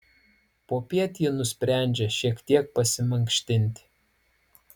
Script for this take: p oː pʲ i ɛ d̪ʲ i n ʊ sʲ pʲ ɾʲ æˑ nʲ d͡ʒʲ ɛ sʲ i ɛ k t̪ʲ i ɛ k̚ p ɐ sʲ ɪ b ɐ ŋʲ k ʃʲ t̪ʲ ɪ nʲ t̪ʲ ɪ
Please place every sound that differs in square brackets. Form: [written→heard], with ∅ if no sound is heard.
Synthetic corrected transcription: p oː pʲ i ɛ [d̪ʲ→t̪ʲ] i n ʊ sʲ pʲ ɾʲ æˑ nʲ d͡ʒʲ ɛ [sʲ→ʃʲ] i ɛ k t̪ʲ i ɛ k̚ p ɐ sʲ ɪ [b→m] ɐ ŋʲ k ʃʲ t̪ʲ ɪ nʲ t̪ʲ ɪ